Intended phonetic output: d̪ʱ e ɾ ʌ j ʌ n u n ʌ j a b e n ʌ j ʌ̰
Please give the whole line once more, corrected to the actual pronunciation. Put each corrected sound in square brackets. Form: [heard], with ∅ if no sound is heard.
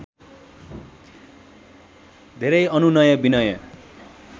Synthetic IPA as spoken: d̪ʱ e ɾ ʌ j ʌ n u n ʌ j [ʌ] b [i] n ʌ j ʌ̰